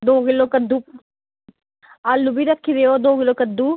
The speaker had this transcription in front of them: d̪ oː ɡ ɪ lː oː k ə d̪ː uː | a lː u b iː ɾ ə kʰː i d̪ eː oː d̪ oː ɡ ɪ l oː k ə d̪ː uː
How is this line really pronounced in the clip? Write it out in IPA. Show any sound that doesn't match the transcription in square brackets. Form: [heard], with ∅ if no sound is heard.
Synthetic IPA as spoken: d̪ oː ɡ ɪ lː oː k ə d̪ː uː | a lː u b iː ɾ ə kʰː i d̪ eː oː d̪ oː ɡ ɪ l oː k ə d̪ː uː